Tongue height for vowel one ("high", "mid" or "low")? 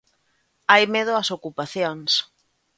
low